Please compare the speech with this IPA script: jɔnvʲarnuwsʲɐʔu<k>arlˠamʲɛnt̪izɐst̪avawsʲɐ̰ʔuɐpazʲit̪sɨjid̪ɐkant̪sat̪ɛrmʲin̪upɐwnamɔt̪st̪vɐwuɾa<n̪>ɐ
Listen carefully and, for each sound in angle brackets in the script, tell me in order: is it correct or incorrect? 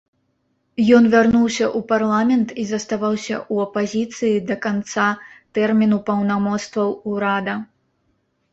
incorrect: p, incorrect: d̪

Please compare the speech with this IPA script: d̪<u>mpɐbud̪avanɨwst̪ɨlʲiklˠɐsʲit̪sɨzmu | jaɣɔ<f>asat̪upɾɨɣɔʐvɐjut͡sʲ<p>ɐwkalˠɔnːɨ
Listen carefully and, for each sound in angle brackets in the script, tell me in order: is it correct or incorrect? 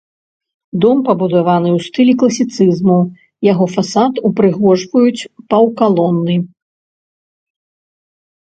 incorrect: ɔ, correct, correct

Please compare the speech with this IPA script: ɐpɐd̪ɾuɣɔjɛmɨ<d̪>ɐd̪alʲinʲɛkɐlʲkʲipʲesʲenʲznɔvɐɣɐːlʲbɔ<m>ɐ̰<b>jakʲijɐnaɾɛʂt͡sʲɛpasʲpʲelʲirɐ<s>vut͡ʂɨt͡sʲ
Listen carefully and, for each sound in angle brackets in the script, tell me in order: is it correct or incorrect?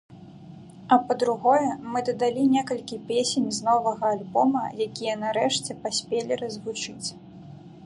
correct, correct, incorrect: none, incorrect: z

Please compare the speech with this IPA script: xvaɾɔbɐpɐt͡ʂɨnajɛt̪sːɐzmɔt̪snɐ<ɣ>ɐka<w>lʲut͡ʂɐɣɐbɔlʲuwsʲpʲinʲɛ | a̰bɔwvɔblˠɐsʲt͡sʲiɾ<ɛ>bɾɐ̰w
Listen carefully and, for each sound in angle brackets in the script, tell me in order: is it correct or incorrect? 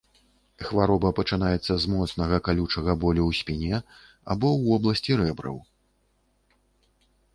correct, incorrect: none, correct

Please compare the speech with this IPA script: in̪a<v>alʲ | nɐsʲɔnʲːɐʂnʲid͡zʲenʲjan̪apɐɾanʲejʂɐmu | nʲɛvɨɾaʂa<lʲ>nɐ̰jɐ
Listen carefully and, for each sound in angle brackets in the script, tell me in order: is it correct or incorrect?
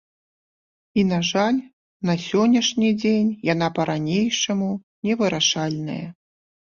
incorrect: ʐ, correct

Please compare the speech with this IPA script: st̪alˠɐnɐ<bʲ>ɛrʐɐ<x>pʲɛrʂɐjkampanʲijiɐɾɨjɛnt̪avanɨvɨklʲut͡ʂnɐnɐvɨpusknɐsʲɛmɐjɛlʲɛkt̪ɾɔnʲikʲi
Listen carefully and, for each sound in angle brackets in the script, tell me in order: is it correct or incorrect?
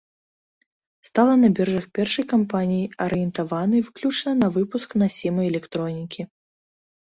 correct, correct

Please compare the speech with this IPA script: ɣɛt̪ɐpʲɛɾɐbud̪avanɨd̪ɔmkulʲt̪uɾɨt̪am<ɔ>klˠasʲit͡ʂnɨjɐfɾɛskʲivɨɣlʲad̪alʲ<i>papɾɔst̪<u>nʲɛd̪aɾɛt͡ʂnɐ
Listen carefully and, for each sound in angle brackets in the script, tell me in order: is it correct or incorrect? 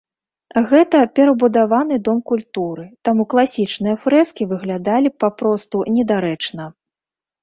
incorrect: u, correct, correct

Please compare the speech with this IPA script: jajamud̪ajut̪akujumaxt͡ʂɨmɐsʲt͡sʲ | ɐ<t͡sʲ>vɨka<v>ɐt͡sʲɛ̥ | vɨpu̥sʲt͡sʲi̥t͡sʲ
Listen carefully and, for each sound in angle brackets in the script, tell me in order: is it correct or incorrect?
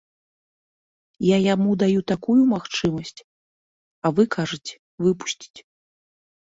incorrect: none, incorrect: ʐ

